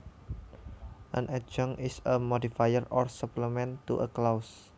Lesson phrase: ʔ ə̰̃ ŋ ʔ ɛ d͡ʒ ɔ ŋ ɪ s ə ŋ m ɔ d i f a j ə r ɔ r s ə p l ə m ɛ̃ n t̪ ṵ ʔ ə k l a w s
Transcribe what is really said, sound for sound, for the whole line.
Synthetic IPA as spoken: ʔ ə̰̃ n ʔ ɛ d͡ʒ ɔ ŋ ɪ s ə m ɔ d i f a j ə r ɔ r s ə p l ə m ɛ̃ n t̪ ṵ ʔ ə k l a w s